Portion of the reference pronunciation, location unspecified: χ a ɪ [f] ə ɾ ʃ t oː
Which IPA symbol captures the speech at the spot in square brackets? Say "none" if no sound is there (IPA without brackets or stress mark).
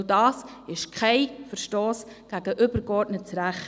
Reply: f